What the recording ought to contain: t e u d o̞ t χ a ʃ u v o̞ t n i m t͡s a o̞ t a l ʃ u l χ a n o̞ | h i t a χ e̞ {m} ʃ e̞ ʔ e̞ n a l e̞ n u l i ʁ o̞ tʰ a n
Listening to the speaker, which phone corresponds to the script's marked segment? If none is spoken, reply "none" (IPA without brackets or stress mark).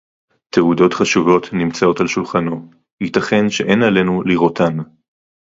n